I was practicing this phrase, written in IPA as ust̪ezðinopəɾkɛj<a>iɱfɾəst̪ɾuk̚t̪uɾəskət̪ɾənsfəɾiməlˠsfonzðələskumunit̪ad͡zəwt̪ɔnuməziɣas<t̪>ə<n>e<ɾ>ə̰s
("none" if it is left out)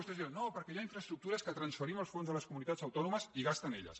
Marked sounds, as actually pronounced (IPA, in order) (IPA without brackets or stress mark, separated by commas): a, t̪, n, ʎ